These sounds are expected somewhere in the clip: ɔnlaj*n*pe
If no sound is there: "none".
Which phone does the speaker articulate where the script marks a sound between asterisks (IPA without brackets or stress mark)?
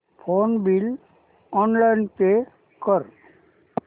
n